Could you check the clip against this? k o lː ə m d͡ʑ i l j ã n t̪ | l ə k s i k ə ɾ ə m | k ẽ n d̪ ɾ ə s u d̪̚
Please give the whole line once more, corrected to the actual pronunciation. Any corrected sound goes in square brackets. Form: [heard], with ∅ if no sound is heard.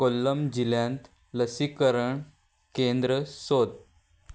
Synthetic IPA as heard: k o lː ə m d͡ʑ i l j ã n t̪ | l ə [∅] s i k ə ɾ ə [ɳ] | k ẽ n d̪ ɾ ə s [o] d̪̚